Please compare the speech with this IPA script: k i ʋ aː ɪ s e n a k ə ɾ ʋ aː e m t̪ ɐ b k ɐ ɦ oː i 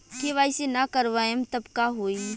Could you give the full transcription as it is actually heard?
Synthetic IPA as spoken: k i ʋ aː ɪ s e n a k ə ɾ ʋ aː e m t̪ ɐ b k a ɦ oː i